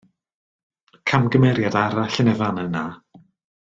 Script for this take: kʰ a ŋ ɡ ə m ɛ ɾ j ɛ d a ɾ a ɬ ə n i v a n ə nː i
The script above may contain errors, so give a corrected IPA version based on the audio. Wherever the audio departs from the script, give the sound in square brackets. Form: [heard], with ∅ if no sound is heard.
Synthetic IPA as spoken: kʰ a [m] ɡ ə m ɛ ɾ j [a] d a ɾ a ɬ ə n [ɛ] v a n ə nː [a]